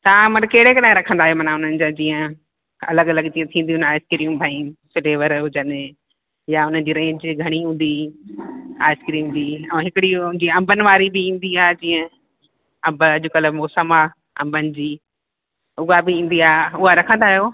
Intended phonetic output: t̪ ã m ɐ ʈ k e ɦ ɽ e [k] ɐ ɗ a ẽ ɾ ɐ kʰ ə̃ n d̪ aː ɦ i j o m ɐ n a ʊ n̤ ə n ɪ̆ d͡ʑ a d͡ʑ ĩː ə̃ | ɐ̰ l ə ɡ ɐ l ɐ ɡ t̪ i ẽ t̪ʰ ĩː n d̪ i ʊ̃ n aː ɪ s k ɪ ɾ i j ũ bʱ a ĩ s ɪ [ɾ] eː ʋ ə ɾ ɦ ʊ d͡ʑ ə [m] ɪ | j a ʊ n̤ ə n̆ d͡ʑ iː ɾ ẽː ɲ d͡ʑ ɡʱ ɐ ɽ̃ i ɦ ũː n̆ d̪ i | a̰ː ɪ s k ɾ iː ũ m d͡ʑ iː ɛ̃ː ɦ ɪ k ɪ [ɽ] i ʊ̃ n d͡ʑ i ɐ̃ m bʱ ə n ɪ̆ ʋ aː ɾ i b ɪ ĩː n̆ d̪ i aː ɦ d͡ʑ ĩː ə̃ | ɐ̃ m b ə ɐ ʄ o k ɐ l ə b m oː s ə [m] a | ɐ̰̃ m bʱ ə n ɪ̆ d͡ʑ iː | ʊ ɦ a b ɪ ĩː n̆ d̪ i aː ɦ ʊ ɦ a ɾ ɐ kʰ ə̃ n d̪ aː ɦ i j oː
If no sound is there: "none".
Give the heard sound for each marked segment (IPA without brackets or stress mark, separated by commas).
k, l, n, ɽ, m